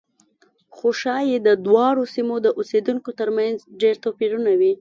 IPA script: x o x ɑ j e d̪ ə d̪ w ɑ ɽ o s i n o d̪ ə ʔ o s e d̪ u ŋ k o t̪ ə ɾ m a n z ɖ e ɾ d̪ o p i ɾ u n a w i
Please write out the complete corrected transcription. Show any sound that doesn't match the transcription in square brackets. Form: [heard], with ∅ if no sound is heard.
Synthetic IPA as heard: x o [ʃ] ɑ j e d̪ ə d̪ w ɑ ɽ o s i [m] o d̪ ə ʔ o s e d̪ u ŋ k o t̪ ə ɾ m a n z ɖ e ɾ [t̪] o p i ɾ u n a w i